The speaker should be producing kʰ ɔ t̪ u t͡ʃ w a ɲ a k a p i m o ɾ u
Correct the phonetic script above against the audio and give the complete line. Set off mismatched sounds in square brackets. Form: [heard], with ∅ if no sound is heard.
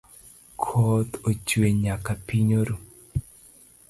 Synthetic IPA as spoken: kʰ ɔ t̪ [o] t͡ʃ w [e] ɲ a k a p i [ɲ] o ɾ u